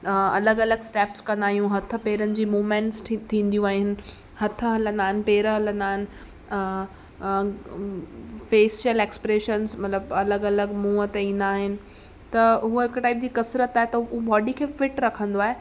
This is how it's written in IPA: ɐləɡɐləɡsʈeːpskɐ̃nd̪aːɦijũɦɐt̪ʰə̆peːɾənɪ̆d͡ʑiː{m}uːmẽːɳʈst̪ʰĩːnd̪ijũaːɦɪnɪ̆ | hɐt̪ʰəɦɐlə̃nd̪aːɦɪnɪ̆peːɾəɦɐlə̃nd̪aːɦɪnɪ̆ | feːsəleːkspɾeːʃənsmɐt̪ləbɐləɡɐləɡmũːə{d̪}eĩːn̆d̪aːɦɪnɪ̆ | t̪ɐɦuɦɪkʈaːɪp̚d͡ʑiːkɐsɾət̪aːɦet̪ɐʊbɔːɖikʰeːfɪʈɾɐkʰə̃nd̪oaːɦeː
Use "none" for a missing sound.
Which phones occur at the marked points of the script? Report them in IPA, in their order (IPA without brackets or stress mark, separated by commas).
m, t̪